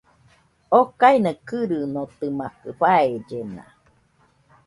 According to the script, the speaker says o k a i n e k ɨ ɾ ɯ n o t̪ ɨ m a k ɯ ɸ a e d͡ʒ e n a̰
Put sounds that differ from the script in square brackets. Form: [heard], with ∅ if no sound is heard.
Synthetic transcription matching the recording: o k a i n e k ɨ ɾ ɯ n o t̪ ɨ m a k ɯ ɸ a e d͡ʒ e n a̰